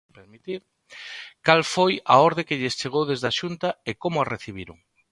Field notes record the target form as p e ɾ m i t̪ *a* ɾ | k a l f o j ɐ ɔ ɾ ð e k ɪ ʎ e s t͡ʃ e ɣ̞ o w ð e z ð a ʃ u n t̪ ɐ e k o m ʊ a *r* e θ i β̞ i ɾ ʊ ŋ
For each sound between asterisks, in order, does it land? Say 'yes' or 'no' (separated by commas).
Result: no, yes